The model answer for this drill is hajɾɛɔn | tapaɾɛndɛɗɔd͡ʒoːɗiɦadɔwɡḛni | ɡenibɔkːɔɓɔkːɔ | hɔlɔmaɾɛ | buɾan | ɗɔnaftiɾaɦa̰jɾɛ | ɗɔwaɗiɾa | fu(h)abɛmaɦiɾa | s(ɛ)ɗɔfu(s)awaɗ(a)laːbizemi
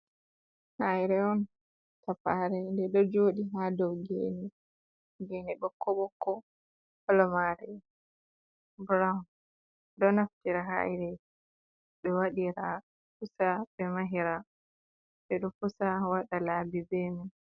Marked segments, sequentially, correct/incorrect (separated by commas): incorrect, correct, correct, correct